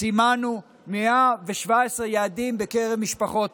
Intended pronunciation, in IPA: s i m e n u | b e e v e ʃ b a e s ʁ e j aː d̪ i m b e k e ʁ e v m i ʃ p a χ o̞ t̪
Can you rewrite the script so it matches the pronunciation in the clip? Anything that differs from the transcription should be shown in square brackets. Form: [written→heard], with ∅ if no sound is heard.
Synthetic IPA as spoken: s i m [e→a] n u | [b→m] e [e→a] v e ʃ [b→v] a e s ʁ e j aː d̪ i m b e k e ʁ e v m i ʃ p a χ o̞ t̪